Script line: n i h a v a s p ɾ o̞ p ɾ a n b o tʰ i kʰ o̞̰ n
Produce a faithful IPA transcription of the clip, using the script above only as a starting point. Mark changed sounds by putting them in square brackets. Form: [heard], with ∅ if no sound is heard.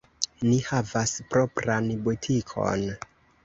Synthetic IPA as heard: n i h a v a s p ɾ o̞ p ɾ a n b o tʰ i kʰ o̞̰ n